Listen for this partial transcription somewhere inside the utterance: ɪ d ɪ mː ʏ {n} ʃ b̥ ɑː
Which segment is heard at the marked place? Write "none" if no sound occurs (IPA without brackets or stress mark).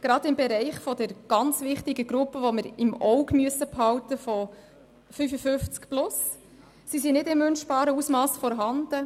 n